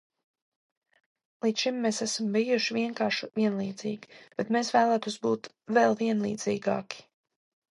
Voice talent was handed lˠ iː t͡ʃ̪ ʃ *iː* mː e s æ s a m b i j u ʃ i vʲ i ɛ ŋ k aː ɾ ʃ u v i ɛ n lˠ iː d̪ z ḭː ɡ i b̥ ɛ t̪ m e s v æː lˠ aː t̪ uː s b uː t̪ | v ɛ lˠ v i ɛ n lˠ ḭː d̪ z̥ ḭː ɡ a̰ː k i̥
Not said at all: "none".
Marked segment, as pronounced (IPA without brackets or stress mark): i